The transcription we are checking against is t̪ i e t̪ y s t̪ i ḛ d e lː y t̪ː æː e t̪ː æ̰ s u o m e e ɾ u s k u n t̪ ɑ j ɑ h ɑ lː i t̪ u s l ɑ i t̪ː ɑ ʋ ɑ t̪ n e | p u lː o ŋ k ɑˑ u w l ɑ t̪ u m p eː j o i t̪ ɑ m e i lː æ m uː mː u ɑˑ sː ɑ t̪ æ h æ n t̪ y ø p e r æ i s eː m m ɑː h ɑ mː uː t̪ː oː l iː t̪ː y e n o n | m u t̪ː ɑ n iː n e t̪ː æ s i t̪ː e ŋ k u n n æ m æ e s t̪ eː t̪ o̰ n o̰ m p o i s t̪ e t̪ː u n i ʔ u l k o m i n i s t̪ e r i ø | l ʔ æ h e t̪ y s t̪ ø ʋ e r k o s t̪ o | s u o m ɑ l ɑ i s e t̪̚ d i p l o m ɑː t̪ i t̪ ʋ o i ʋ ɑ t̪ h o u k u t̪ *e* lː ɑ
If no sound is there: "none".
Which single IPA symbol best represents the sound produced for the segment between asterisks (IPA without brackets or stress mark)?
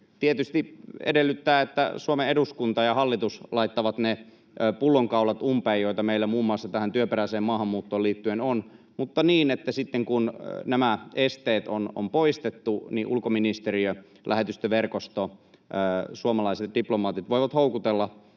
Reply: e